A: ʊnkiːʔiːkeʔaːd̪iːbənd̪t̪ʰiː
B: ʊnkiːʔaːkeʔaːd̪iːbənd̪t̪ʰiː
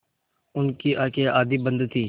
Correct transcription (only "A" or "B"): B